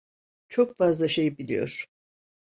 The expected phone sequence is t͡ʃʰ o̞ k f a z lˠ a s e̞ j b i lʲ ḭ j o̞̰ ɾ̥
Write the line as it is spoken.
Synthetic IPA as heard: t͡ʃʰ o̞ k f a z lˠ a ʃ e̞ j b i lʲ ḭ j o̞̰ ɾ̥